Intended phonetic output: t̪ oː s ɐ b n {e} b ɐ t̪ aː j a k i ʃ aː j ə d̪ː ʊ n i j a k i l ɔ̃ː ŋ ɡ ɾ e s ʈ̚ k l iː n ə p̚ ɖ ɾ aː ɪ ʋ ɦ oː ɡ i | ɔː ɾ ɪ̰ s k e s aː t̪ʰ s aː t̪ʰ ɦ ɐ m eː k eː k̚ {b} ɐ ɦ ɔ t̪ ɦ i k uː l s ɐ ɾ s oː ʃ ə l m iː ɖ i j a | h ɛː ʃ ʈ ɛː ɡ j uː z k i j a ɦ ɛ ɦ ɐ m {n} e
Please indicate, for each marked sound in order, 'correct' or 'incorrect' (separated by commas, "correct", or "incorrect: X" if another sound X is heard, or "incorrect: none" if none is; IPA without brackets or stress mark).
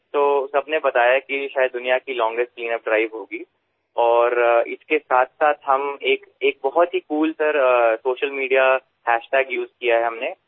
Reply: correct, correct, correct